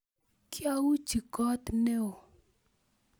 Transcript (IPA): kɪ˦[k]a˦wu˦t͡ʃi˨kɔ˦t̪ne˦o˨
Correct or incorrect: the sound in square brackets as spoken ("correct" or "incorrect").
incorrect